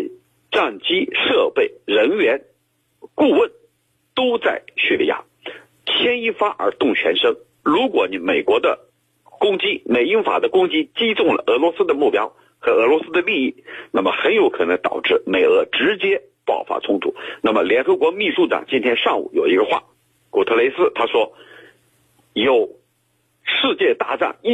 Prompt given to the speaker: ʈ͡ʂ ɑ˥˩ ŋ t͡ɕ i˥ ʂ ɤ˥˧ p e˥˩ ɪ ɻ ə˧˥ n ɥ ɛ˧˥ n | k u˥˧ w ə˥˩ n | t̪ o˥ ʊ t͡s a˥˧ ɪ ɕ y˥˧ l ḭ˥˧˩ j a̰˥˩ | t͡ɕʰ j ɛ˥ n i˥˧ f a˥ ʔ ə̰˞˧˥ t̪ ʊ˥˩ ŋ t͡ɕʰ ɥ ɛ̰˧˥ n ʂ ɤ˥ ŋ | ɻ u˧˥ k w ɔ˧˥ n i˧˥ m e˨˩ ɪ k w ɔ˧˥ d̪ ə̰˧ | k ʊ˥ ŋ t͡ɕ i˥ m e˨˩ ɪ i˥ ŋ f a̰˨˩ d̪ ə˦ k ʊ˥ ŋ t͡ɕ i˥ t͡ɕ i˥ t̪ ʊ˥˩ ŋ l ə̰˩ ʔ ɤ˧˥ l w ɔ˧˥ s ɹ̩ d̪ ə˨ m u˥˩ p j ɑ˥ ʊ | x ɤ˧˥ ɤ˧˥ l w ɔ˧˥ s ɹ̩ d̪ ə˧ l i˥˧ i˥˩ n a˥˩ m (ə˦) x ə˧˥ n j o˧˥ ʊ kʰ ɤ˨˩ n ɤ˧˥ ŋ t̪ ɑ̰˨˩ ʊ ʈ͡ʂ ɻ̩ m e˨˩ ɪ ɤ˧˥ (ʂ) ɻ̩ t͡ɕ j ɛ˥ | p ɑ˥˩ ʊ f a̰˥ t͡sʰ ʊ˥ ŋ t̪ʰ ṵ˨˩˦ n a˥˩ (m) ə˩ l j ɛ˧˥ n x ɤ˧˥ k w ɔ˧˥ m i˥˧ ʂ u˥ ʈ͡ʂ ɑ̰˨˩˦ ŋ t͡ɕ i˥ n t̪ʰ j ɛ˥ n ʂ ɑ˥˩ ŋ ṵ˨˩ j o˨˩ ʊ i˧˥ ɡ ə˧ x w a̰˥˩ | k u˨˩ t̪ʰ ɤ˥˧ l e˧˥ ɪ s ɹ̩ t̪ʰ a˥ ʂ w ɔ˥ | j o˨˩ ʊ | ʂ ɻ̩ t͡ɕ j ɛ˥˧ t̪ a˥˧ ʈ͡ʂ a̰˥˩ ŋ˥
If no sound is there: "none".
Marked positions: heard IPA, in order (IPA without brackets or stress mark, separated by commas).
ə˩, ʈ͡ʂ, m